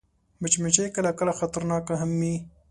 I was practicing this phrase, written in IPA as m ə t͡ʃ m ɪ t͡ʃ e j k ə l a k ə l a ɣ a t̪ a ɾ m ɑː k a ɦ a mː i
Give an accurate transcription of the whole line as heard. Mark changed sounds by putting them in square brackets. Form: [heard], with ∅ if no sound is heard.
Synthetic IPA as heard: m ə t͡ʃ m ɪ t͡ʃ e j k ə l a k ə l a [x] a t̪ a ɾ [n] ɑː k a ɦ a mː i